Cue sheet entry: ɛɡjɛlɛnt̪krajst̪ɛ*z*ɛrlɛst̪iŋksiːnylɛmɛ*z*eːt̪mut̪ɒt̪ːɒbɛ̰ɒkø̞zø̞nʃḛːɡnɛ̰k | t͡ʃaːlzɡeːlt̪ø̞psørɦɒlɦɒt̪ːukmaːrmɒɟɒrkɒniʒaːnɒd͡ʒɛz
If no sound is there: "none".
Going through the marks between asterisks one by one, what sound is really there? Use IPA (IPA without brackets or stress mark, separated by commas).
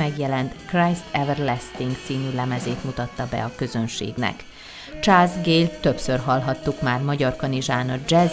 v, z